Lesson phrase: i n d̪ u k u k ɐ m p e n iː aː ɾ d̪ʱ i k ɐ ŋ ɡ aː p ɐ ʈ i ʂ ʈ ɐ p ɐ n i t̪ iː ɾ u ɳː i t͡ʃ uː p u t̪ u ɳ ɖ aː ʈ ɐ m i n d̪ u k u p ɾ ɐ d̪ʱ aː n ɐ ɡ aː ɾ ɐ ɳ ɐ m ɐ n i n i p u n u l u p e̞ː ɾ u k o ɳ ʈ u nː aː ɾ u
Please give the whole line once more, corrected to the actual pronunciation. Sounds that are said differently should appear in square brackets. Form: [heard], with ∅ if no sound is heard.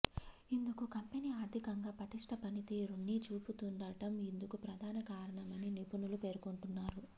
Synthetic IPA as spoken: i n d̪ u k u k ɐ m p e n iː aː ɾ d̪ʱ i k ɐ ŋ ɡ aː p ɐ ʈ i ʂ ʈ ɐ p ɐ n i t̪ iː ɾ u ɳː i t͡ʃ uː p u t̪ u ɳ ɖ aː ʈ ɐ m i n d̪ u k u p ɾ ɐ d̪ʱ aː n ɐ [k] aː ɾ ɐ ɳ ɐ m ɐ n i n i p u n u l u p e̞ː ɾ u k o ɳ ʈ u nː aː ɾ u

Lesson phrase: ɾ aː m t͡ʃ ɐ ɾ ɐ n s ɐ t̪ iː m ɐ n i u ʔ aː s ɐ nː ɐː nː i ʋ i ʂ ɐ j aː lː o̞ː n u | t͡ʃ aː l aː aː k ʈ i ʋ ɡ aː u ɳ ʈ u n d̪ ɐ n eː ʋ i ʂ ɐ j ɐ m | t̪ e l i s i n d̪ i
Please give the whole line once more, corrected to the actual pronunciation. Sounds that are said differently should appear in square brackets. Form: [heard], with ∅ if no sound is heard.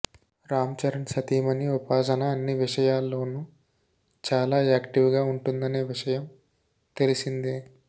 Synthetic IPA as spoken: ɾ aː m t͡ʃ ɐ ɾ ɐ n s ɐ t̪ iː m ɐ n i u [p] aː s ɐ [n] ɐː nː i ʋ i ʂ ɐ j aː lː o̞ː n u | t͡ʃ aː l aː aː k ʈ i ʋ ɡ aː u ɳ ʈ u n d̪ ɐ n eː ʋ i ʂ ɐ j ɐ m | t̪ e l i s i n d̪ i

